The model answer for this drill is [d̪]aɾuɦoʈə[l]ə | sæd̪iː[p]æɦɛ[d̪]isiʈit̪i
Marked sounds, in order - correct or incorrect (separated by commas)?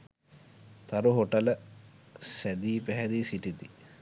incorrect, correct, correct, correct